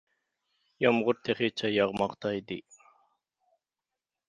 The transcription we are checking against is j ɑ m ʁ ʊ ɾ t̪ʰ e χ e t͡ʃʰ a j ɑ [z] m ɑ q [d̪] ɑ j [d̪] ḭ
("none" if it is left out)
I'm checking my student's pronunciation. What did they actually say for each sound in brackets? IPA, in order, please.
ʁ, t̪, d̪

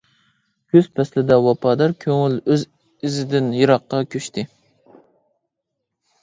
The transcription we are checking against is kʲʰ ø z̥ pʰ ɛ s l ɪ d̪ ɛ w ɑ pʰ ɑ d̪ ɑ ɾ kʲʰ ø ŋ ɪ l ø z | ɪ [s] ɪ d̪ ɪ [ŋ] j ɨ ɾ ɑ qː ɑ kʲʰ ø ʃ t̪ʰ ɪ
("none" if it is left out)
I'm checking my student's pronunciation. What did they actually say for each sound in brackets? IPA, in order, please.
z, n

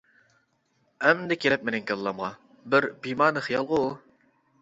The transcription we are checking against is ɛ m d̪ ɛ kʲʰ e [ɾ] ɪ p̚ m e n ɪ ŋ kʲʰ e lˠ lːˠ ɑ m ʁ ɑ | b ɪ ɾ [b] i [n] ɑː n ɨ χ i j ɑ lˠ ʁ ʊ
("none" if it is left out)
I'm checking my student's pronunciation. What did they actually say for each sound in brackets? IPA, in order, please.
l, b, m

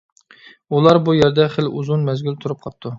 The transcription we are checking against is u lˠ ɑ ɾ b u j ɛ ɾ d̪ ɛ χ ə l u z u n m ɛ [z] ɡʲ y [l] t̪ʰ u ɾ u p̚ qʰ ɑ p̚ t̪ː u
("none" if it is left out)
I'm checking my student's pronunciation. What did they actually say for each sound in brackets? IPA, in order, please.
z, l

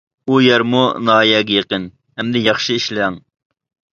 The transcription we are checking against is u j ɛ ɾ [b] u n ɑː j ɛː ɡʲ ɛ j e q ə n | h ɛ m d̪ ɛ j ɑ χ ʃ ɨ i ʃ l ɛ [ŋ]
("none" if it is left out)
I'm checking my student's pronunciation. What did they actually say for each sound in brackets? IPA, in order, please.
m, ŋ

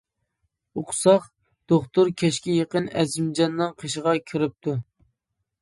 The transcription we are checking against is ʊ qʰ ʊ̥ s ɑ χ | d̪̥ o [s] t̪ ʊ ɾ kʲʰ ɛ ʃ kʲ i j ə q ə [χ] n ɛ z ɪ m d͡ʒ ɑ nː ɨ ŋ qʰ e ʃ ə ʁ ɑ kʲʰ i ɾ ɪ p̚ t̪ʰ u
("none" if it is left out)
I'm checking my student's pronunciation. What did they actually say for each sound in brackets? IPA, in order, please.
χ, none

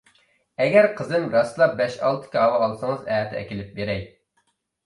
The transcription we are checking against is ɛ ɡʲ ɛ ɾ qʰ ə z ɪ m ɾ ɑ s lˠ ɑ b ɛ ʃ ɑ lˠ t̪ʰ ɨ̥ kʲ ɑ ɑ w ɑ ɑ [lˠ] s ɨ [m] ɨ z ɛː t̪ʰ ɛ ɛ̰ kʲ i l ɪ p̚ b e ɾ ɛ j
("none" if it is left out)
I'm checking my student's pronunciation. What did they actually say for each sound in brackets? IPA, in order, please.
lˠ, ŋ

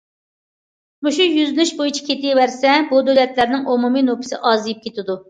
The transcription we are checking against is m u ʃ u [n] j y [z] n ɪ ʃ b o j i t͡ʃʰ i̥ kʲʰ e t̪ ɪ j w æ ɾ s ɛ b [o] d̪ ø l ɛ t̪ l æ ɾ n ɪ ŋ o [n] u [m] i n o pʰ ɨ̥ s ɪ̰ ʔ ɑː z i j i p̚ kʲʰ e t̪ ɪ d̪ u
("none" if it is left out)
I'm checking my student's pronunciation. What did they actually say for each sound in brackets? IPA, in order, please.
none, z, u, m, m

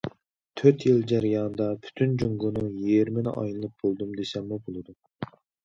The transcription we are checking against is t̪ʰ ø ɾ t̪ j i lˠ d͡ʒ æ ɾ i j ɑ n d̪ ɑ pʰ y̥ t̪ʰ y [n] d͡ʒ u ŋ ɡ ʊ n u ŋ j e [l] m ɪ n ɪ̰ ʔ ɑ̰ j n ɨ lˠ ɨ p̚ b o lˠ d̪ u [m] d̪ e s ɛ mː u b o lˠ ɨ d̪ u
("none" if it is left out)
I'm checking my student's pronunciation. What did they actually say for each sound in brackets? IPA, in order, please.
n, ɾ, m

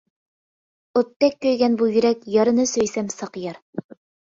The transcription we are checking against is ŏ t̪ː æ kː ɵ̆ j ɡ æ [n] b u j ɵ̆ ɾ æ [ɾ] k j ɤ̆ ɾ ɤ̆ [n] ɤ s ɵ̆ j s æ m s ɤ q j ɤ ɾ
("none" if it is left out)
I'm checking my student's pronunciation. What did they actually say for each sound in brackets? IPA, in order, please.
n, none, n

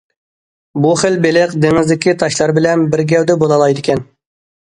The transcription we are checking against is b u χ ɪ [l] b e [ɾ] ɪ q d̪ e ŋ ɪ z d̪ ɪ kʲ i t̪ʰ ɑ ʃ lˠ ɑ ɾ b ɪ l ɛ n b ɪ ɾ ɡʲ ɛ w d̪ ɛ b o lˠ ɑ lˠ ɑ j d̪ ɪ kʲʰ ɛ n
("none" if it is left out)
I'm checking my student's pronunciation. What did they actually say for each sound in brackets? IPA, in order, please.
l, l

